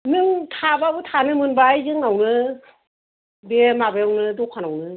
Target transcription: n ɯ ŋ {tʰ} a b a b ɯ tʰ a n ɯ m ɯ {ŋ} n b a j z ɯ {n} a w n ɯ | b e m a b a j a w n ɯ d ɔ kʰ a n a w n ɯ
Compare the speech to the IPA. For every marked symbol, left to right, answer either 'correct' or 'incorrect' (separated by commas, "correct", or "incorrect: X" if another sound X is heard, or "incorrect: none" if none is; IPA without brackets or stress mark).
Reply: correct, incorrect: none, incorrect: ŋ